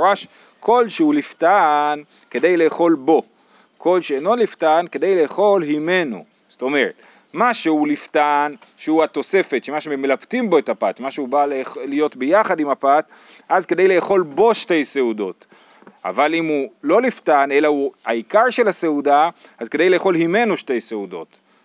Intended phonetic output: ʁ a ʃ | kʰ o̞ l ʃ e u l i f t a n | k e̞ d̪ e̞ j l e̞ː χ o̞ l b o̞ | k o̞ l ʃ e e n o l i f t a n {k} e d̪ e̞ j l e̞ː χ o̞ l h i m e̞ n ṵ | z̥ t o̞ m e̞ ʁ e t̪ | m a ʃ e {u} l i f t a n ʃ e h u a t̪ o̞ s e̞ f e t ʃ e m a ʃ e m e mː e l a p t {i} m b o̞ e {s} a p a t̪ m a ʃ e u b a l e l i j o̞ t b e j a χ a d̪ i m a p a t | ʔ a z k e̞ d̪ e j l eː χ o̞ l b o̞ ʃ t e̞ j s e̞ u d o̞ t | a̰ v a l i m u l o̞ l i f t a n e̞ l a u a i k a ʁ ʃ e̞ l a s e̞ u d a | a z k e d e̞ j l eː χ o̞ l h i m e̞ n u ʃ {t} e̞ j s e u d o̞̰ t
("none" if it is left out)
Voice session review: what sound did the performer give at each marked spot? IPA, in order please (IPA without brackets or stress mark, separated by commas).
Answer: k, u, i, t, t